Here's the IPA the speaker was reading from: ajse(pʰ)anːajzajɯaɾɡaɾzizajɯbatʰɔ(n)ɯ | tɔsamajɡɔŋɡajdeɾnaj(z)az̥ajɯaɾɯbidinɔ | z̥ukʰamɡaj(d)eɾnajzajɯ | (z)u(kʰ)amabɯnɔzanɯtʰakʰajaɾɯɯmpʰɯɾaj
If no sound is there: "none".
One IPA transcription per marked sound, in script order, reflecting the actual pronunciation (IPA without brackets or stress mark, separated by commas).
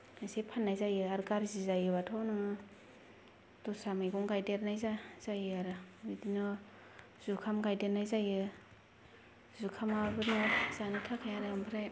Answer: pʰ, n, z, d, z, kʰ